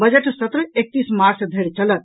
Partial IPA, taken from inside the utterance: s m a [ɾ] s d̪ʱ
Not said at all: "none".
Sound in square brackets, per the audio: ɾ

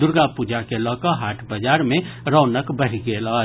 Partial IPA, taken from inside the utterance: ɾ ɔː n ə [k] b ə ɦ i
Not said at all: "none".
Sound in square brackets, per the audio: k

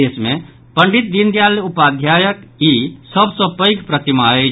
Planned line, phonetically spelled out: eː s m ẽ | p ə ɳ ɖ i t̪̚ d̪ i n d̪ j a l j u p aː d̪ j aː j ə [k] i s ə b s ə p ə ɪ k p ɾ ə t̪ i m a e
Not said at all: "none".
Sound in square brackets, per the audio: k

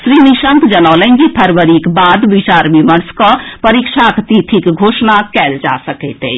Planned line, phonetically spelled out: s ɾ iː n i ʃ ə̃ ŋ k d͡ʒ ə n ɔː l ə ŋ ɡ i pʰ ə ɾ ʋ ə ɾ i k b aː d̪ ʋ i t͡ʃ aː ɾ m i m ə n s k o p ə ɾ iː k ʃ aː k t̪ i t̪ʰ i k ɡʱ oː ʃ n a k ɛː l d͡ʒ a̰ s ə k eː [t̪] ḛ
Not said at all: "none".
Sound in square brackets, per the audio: t̪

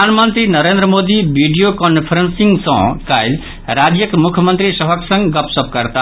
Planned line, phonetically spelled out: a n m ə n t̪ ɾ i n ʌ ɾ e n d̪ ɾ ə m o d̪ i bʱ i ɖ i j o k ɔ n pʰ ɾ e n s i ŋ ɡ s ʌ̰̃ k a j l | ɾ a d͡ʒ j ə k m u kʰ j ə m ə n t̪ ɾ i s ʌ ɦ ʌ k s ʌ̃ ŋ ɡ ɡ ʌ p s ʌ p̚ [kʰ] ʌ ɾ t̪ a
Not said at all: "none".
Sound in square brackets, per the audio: k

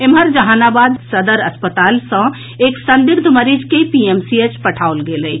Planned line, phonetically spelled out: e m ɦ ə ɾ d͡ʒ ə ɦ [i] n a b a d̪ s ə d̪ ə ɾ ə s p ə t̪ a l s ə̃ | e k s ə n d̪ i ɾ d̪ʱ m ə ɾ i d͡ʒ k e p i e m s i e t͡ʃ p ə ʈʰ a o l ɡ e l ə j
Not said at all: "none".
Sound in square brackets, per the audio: a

